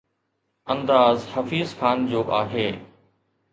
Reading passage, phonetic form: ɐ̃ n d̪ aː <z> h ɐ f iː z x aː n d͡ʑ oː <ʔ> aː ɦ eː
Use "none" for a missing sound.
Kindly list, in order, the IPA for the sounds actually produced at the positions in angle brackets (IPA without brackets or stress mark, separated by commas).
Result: z, ʔ